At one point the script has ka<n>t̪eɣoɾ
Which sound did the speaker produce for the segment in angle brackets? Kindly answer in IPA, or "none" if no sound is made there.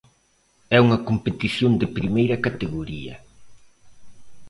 none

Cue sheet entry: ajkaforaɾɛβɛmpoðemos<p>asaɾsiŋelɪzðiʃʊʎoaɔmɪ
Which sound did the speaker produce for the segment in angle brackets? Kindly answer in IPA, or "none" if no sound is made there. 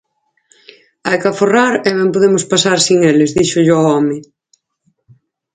p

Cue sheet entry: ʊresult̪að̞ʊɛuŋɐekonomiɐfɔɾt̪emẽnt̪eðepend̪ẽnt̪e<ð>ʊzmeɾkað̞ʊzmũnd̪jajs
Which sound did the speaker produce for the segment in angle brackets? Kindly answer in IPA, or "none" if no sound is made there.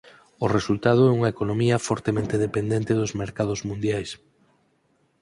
ð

